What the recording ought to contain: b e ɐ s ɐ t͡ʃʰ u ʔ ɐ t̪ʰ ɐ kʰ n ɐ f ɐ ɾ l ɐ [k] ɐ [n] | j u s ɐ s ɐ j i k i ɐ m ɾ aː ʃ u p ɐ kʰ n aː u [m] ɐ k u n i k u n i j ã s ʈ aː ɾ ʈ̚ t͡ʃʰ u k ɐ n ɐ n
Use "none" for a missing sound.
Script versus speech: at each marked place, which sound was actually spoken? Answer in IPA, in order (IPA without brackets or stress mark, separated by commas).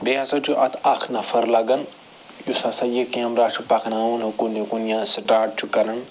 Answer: ɡ, n, n